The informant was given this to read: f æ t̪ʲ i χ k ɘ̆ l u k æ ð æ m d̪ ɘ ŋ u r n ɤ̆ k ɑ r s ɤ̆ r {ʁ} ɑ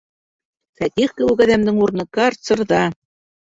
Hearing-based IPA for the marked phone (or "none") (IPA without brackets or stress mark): ð